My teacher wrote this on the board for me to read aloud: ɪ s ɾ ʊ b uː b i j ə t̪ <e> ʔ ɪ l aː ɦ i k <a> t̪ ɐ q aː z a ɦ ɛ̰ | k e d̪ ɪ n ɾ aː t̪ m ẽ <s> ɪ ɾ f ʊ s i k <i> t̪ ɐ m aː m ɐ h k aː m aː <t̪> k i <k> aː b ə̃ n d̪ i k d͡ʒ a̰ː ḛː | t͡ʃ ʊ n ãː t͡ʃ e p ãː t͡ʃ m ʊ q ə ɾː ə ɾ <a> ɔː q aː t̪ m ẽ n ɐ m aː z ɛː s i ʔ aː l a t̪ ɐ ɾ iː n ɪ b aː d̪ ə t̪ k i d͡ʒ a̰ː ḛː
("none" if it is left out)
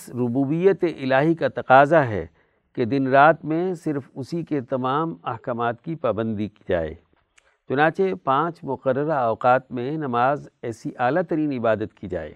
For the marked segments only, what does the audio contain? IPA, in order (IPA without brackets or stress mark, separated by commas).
e, a, s, e, t̪, p, a